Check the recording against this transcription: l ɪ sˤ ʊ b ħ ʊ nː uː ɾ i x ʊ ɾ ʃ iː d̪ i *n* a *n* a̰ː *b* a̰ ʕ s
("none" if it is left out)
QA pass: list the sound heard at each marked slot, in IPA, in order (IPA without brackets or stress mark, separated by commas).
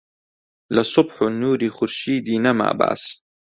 n, m, b